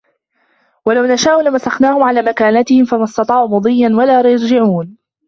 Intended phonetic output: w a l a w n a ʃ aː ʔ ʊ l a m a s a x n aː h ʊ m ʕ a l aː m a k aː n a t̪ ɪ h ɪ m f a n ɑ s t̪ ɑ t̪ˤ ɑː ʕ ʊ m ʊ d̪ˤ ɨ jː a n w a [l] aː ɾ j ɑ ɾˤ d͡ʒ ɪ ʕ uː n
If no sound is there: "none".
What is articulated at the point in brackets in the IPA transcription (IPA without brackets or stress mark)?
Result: l